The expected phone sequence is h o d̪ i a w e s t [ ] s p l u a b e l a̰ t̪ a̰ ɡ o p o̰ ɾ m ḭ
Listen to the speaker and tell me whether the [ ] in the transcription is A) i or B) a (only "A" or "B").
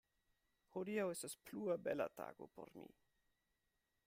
B